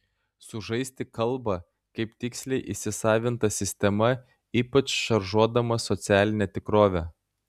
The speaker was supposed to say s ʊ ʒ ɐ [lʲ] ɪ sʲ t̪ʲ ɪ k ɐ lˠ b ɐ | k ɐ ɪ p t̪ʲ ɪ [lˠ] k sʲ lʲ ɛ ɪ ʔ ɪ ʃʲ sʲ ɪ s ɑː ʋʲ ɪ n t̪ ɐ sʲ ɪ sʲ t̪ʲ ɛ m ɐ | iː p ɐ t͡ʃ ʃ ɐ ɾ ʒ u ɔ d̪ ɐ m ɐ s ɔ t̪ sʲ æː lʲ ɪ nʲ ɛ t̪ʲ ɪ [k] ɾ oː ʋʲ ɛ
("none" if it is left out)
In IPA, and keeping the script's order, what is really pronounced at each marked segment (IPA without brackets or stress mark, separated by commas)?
none, none, k